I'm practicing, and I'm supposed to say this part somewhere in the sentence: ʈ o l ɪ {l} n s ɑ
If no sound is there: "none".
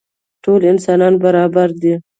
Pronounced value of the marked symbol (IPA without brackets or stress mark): none